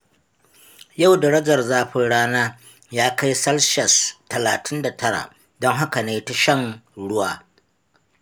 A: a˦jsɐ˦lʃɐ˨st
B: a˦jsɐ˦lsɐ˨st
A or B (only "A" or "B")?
A